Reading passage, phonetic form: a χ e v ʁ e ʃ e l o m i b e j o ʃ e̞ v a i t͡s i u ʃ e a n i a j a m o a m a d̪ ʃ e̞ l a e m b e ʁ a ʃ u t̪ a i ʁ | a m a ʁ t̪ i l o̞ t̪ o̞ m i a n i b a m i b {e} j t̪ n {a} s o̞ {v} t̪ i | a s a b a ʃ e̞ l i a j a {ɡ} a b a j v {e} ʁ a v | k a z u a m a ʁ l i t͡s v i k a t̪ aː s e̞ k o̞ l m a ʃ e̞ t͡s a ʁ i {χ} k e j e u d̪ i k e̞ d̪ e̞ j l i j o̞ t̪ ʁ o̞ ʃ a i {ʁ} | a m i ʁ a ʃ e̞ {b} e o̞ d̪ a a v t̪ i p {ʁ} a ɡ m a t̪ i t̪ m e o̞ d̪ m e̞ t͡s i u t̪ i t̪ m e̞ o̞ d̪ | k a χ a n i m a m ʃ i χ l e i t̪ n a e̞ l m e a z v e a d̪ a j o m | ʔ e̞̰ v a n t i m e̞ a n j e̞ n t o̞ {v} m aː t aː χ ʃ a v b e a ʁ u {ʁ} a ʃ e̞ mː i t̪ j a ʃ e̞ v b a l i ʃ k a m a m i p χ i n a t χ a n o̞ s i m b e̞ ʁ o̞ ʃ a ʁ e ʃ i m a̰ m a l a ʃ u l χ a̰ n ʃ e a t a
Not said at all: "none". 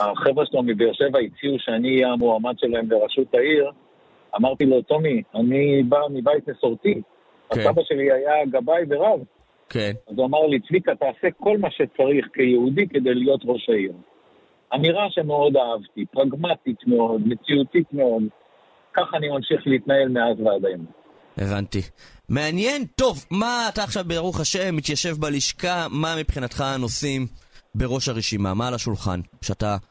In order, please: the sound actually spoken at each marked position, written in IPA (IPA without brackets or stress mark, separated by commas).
a, e, ʁ, ɡ, e, χ, ʁ, m, ʁ, v, χ